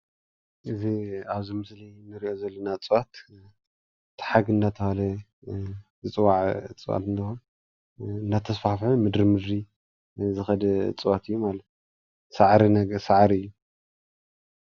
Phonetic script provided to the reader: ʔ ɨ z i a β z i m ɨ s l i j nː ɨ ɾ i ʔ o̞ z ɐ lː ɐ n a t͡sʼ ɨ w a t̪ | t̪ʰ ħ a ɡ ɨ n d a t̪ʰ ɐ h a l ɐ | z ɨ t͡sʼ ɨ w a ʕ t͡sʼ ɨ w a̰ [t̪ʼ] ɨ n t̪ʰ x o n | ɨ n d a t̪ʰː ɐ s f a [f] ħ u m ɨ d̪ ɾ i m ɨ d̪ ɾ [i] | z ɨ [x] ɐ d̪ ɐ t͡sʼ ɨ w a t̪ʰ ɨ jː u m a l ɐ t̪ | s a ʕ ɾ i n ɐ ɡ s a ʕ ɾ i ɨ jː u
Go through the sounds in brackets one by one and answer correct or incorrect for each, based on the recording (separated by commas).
incorrect, correct, correct, correct